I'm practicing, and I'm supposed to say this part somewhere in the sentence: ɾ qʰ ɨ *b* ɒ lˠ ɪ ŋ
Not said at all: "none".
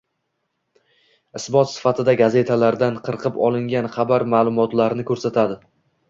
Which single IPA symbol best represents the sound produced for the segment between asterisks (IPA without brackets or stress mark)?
p